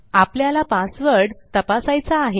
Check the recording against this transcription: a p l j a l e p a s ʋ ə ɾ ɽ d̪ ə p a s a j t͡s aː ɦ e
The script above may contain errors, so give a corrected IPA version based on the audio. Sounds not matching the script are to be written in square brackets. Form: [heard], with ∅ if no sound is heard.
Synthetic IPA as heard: a p l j a l [a] p a s ʋ ə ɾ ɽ [t̪] ə p a s a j t͡s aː ɦ e